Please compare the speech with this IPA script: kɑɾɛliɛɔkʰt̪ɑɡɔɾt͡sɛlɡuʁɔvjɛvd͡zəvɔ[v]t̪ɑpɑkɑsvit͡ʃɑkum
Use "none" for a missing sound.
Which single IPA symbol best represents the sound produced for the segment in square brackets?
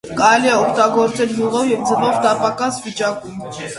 v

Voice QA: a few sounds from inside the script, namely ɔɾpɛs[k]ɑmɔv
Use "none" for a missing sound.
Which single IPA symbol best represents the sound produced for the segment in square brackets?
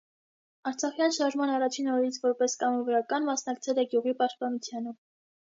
k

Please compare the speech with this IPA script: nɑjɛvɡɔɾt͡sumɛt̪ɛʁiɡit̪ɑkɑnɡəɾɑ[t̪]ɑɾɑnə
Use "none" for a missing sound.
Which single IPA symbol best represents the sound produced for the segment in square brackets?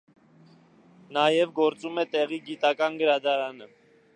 d̪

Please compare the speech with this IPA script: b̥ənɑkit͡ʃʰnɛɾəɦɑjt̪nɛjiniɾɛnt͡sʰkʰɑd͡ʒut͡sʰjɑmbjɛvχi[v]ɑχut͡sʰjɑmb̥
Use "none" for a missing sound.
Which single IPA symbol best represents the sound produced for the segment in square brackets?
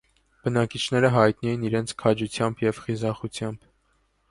z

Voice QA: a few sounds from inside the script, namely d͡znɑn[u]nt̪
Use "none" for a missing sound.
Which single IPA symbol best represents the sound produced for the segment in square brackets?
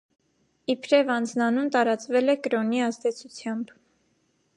u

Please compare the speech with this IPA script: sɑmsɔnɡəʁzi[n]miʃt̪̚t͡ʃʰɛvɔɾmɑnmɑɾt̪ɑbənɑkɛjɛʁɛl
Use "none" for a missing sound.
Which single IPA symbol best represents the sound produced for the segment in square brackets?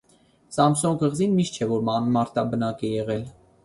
n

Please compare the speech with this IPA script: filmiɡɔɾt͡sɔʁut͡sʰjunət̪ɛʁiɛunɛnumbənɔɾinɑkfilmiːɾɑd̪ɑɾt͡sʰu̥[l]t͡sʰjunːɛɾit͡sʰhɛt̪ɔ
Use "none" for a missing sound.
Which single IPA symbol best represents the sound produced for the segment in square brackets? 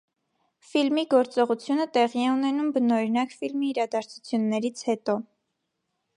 none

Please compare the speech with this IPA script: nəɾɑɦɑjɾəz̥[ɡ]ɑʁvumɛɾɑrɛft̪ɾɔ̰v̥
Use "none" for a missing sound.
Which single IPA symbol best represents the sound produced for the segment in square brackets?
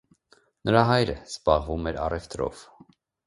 b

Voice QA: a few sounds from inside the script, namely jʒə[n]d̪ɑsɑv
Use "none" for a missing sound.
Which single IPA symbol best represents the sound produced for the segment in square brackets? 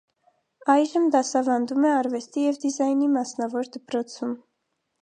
m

